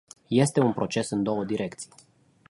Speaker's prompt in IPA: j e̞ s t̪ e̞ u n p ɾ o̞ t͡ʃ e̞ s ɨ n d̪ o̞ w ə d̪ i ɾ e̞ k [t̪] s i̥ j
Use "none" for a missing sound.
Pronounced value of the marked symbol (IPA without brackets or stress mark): t̪